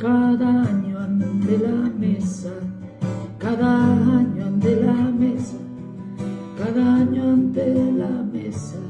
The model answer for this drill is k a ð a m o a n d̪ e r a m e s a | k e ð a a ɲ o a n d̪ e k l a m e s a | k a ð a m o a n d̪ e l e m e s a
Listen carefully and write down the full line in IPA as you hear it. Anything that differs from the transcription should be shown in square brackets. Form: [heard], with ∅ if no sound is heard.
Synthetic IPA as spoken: k a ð a [ɲ] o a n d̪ e [l] a m e s a | k [a] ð a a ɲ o a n d̪ e [∅] l a m e s a | k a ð a [ɲ] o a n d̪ e l [a] m e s a